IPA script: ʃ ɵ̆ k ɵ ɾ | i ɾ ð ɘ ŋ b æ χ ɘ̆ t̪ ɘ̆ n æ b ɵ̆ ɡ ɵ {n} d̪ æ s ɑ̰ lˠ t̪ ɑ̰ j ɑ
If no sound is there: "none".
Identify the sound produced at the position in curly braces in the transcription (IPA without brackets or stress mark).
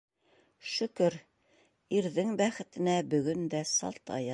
n